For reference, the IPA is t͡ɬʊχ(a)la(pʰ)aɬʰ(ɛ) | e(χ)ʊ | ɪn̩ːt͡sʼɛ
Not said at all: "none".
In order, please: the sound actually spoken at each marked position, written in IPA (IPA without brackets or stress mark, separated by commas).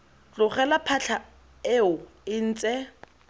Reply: ɛ, pʰ, a, none